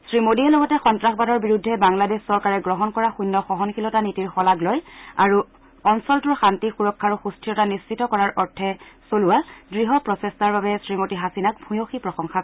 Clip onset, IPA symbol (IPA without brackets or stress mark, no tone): s